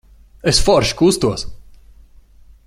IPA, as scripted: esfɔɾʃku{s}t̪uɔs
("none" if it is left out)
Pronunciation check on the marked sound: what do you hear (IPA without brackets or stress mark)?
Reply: s